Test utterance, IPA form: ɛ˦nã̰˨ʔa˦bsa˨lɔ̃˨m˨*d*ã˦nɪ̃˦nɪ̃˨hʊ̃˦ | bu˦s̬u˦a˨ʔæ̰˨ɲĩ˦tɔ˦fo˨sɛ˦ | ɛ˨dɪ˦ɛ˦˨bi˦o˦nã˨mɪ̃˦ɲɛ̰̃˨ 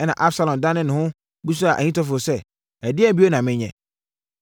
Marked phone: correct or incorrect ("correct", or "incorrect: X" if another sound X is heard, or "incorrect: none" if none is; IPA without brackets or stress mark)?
correct